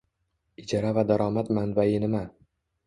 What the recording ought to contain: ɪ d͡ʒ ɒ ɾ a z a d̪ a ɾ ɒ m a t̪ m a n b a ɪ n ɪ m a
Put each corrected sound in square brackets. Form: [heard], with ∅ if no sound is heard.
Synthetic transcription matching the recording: ɪ d͡ʒ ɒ ɾ a [v] a d̪ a ɾ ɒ m a t̪ m a n b a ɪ n ɪ m a